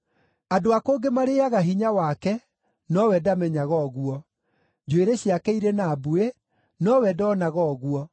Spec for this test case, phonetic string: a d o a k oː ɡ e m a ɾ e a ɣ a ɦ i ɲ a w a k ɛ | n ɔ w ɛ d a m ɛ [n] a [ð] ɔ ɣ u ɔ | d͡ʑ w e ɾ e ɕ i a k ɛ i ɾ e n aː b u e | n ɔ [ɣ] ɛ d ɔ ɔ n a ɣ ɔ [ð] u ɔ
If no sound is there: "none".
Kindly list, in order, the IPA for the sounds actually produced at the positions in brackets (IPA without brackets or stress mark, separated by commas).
ɲ, ɣ, w, ɣ